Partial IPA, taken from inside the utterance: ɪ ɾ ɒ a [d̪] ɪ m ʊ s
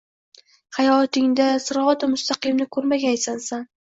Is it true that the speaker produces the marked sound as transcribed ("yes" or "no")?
no